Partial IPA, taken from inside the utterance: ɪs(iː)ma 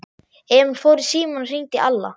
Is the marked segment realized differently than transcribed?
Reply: no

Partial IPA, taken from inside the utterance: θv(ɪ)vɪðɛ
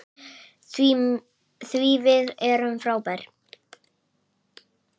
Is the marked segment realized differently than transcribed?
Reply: yes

